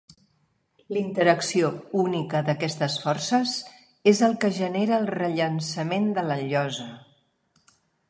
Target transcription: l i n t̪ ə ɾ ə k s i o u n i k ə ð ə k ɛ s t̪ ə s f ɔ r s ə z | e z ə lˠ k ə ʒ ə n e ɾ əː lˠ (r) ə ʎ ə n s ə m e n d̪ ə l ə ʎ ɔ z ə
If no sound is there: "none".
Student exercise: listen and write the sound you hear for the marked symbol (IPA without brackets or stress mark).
r